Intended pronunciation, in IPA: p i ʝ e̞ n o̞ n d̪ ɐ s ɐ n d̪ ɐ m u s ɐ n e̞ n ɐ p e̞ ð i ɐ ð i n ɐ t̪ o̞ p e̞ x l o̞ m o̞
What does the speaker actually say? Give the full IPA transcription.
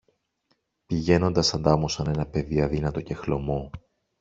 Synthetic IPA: p i ʝ e̞ n o̞ n d̪ ɐ s ɐ n d̪ ɐ m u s ɐ n e̞ n ɐ p e̞ ð i ɐ ð i n ɐ t̪ o̞ c e̞ x l o̞ m o̞

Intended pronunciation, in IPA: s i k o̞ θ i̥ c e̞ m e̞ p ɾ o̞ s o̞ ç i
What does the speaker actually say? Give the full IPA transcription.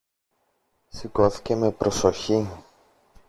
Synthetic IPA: s i k o̞ θ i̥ c e̞ m e̞ p ɾ o̞ s o̞ ç i

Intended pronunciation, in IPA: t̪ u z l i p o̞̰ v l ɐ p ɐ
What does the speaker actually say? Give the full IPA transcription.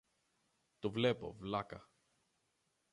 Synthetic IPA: t̪ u v l e p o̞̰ v l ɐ k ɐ

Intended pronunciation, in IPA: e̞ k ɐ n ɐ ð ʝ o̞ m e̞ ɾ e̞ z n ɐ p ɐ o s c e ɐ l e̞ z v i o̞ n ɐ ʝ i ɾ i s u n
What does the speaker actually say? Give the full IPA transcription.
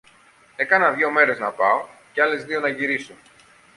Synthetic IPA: e̞ k ɐ n ɐ ð ʝ o̞ m e̞ ɾ e̞ z n ɐ p ɐ o c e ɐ l e̞ z ð i o̞ n ɐ ʝ i ɾ i s u n

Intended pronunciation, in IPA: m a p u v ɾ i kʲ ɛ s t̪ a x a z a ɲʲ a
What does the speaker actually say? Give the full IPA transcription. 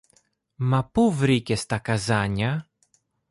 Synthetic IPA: m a p u v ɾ i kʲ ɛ s t̪ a k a z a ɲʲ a

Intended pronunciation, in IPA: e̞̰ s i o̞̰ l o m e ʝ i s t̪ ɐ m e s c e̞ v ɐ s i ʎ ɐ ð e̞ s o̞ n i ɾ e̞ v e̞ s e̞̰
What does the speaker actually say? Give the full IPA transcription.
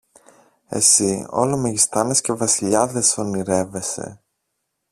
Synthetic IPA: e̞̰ s i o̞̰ l o m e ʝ i s t̪ ɐ n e s c e̞ v ɐ s i ʎ ɐ ð e̞ s o̞ n i ɾ e̞ v e̞ s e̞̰

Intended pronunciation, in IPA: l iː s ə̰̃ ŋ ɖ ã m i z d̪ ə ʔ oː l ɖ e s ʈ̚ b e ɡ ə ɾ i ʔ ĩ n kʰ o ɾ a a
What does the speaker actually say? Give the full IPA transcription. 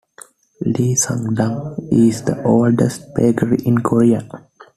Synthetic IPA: l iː s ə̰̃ ŋ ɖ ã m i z d̪ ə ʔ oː l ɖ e s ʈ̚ b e ɡ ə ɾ i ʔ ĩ n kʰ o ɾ i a

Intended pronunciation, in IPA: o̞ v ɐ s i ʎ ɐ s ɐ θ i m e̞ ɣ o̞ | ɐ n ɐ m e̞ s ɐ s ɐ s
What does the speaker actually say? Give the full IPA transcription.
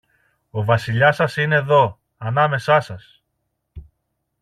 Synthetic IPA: o̞ v ɐ s i ʎ ɐ s ɐ s i n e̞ ð o̞ | ɐ n ɐ m e̞ s ɐ s ɐ s

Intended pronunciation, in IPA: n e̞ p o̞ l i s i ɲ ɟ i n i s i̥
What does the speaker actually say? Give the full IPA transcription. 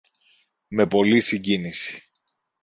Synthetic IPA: m e̞ p o̞ l i s i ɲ ɟ i n i s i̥

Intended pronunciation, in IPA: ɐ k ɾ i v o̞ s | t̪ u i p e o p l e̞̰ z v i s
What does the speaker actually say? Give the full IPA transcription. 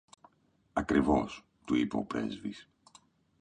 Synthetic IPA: ɐ k ɾ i v o̞ s | t̪ u i p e o p ɾ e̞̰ z v i s

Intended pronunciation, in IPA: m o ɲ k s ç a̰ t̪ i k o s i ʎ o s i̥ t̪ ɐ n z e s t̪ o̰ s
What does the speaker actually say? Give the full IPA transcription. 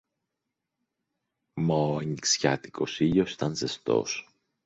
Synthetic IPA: m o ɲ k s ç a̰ t̪ i k o s i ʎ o s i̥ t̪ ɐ n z e s t̪ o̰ s

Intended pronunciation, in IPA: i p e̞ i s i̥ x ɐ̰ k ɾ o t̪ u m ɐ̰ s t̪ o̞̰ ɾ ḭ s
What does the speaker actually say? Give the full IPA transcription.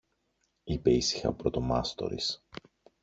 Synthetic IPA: i p e̞ i s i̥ x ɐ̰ p ɾ o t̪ o m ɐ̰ s t̪ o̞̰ ɾ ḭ s

